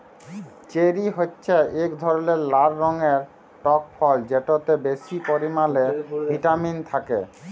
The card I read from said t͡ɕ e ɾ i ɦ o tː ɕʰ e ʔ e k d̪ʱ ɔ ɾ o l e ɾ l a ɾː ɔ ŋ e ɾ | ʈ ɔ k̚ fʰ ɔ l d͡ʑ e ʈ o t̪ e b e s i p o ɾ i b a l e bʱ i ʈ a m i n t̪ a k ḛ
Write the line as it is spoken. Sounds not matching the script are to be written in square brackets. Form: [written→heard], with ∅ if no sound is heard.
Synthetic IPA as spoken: t͡ɕ e ɾ i ɦ o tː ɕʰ e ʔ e k d̪ʱ ɔ ɾ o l e ɾ l a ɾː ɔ ŋ e ɾ | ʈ ɔ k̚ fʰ ɔ l d͡ʑ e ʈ o t̪ e b e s i p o ɾ i [b→m] a l e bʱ i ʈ a m i n [t̪→t̪ʰ] a k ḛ